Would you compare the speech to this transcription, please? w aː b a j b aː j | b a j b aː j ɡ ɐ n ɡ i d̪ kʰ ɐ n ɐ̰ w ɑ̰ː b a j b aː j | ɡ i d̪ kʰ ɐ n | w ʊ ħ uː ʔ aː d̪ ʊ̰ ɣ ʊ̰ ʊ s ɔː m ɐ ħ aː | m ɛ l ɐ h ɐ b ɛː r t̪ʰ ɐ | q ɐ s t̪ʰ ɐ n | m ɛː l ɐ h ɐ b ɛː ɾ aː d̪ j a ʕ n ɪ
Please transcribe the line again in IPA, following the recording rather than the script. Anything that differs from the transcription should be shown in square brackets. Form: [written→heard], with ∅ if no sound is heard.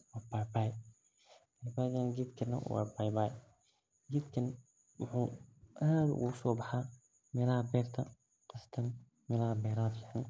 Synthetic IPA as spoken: w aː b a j b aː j | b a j b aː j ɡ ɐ n ɡ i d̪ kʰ ɐ n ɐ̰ w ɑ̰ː b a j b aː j | ɡ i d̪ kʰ ɐ n | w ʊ ħ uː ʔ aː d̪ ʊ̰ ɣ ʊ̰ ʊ s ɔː [m→b] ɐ ħ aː | m [ɛ→ɛː] l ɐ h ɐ b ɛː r t̪ʰ ɐ | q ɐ s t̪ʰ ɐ n | m ɛː l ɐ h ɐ b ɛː ɾ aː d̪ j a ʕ n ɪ